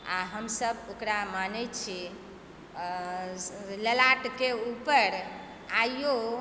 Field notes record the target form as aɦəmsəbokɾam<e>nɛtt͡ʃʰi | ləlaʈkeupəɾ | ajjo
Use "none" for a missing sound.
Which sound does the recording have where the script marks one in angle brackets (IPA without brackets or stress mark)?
a